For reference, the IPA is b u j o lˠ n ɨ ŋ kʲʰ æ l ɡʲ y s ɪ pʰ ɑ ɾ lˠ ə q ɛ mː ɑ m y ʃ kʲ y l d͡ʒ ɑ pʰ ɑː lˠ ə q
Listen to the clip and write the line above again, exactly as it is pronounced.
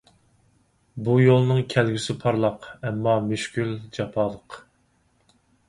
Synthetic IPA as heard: b u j o lˠ n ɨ ŋ kʲʰ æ l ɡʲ y s ɪ pʰ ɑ ɾ lˠ ɑ q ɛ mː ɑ m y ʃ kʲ y l d͡ʒ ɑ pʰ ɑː lˠ ə q